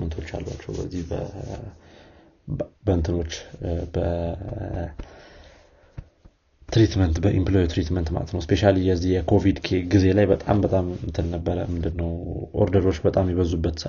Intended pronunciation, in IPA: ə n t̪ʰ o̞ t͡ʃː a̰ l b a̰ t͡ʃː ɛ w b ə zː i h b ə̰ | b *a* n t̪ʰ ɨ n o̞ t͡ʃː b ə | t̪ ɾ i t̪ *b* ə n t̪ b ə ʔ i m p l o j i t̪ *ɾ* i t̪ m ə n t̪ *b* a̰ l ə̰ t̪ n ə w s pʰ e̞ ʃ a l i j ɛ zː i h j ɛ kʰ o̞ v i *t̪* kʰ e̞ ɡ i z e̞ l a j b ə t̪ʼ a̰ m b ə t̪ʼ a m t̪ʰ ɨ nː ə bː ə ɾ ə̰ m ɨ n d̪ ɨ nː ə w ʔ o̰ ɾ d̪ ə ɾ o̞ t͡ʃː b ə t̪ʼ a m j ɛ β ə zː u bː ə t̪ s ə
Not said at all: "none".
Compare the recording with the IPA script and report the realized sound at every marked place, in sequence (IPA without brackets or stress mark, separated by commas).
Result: ə, m, ɾ, m, d̪